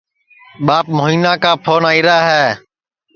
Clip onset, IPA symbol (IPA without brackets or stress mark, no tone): ɓ